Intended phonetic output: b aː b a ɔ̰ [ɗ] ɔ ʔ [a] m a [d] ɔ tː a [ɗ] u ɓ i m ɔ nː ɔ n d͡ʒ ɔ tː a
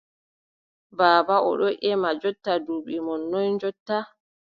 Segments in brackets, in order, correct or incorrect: correct, incorrect: ɛ, incorrect: d͡ʒ, incorrect: d

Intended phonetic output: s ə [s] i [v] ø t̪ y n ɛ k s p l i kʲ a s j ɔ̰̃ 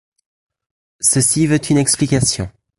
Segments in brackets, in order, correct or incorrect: correct, correct

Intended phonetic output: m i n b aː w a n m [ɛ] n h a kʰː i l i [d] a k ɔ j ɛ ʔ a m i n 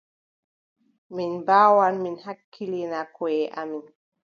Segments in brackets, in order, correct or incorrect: incorrect: i, incorrect: n

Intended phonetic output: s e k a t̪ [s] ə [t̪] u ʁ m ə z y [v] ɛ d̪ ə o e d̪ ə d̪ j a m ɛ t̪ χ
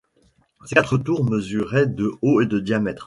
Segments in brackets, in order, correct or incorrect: incorrect: χ, correct, incorrect: ʁ

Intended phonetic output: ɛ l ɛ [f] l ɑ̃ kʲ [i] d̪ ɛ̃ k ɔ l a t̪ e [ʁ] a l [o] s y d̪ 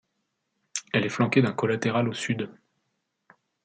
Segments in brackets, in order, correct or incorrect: correct, incorrect: e, correct, correct

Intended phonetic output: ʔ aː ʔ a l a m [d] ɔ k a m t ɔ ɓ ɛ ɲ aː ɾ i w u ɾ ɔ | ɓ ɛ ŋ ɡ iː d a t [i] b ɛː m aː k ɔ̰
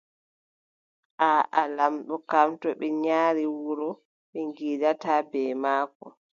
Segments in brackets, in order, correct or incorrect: incorrect: ɗ, incorrect: a

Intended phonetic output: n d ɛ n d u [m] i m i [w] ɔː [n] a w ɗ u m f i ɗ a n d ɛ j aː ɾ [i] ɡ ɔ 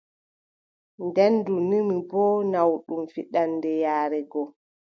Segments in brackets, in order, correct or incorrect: incorrect: n, incorrect: b, correct, incorrect: ɛ

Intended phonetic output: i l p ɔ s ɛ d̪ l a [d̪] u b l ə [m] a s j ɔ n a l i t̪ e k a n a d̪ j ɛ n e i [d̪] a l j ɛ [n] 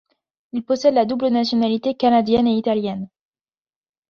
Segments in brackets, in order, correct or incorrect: correct, incorrect: n, incorrect: t̪, correct

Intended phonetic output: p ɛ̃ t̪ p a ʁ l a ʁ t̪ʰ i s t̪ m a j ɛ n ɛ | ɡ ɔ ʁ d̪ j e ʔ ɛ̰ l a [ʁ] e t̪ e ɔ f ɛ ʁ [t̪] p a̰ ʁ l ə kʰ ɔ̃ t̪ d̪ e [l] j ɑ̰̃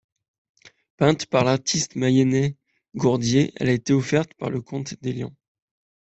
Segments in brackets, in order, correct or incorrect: incorrect: none, correct, correct

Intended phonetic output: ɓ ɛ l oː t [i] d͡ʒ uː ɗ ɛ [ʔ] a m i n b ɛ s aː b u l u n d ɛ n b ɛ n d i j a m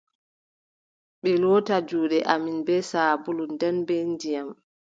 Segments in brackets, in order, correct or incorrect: incorrect: a, correct

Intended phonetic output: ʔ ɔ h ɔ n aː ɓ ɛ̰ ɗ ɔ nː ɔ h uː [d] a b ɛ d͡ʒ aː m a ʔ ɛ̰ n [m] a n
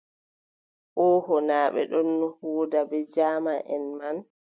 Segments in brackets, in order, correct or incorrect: correct, correct

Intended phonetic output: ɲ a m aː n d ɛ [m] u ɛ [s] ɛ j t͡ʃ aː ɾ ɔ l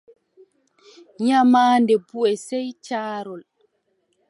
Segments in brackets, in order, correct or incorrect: incorrect: b, correct

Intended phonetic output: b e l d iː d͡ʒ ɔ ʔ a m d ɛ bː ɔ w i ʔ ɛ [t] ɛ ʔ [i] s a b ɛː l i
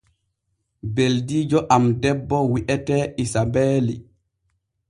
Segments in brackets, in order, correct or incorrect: correct, correct

